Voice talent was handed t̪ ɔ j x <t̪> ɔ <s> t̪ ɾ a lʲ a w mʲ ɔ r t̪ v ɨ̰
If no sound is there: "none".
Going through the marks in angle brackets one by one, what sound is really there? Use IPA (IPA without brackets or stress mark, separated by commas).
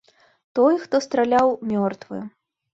t̪, s